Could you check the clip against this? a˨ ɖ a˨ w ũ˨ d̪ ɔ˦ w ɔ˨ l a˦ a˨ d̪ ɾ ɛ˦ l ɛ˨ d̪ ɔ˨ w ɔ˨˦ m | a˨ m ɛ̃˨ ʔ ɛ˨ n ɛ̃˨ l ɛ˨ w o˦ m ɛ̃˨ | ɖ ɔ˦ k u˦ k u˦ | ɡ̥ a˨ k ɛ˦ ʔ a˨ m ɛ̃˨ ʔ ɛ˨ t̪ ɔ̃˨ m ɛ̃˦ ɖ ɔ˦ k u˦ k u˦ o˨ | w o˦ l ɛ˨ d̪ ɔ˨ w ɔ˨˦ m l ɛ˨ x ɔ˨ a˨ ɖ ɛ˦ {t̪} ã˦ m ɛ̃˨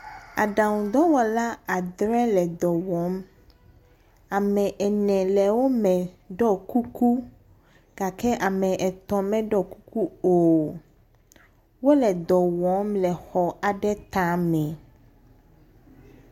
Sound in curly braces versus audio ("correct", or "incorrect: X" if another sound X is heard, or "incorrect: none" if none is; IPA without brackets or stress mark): correct